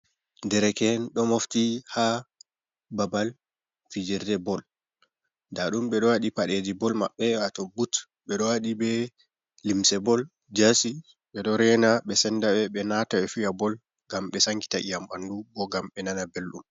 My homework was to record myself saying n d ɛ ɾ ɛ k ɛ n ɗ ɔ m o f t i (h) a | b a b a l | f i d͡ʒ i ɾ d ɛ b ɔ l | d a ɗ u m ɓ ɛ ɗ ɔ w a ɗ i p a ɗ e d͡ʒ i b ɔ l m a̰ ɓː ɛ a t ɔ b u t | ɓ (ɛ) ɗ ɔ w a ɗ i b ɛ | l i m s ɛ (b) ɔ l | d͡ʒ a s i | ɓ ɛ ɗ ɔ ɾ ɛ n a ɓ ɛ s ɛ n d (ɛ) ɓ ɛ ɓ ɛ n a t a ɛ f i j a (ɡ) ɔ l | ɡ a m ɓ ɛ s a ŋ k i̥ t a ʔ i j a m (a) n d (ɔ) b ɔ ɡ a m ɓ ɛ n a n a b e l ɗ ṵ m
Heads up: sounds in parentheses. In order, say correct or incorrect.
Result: correct, correct, correct, incorrect: a, incorrect: b, correct, incorrect: u

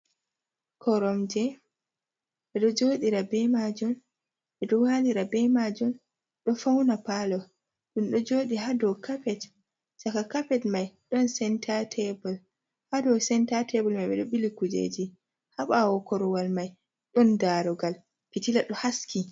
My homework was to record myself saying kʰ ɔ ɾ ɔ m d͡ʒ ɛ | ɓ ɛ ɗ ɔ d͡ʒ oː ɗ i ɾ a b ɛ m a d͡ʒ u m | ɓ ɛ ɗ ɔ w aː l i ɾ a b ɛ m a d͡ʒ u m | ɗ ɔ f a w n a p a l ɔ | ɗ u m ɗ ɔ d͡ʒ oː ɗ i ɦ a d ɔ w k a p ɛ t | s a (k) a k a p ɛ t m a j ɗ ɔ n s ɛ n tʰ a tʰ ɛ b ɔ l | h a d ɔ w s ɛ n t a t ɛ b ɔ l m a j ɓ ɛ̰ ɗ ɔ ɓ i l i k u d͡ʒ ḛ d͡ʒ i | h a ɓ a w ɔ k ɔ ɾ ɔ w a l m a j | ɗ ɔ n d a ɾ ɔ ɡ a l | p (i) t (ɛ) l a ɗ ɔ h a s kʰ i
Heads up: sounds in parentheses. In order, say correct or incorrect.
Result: correct, correct, incorrect: i

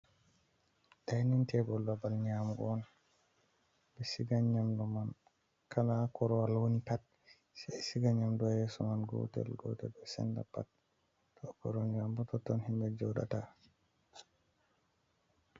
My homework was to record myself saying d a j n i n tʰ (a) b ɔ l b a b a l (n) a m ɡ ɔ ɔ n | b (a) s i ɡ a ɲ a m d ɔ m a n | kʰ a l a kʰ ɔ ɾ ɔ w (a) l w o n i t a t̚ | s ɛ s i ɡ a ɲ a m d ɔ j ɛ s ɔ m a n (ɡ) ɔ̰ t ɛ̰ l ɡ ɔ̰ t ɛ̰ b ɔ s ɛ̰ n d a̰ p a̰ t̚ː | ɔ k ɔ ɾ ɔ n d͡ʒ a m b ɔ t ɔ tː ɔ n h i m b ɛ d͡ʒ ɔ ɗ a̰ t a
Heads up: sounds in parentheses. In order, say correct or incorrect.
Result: incorrect: ɛ, incorrect: ɲ, incorrect: ɛ, correct, correct

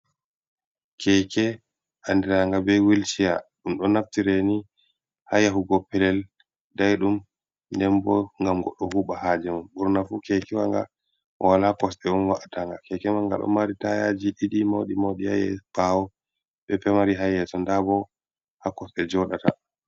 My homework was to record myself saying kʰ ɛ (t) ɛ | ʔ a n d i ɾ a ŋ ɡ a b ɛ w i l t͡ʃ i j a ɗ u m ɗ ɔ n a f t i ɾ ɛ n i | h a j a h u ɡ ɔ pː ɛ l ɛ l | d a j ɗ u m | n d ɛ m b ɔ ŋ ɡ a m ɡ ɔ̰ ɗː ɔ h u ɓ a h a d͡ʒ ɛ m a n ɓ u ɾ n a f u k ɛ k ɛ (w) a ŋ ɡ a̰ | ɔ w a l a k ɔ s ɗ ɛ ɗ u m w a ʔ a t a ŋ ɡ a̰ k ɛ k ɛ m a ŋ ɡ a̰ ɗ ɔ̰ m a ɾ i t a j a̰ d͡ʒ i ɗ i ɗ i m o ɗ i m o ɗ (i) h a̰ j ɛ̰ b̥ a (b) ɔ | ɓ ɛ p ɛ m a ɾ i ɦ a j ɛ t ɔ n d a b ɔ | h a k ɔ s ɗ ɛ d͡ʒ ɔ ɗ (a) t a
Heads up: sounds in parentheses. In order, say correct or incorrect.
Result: incorrect: k, correct, correct, incorrect: w, correct

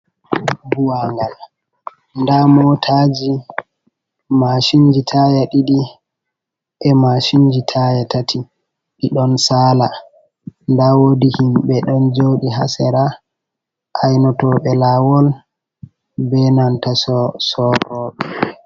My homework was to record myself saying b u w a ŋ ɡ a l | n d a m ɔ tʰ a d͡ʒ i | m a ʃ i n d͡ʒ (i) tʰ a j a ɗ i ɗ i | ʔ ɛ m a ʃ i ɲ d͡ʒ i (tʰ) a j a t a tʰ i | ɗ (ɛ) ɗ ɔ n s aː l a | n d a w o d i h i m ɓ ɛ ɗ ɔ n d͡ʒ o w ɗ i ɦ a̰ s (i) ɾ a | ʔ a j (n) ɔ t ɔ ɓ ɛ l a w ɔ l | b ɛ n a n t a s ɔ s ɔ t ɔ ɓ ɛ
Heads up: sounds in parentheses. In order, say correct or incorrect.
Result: correct, correct, incorrect: i, incorrect: ɛ, correct

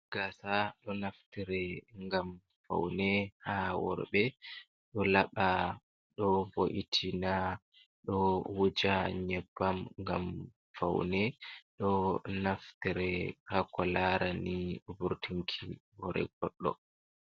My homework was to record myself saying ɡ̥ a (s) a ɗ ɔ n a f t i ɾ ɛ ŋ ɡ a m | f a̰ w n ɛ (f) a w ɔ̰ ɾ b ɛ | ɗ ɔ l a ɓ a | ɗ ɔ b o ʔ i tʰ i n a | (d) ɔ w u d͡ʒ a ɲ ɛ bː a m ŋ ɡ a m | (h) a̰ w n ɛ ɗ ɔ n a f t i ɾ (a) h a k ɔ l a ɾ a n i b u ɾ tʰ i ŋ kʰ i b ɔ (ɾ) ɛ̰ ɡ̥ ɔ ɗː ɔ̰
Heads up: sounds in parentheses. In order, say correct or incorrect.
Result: correct, incorrect: h, incorrect: ɗ, incorrect: f, incorrect: ɛ, correct

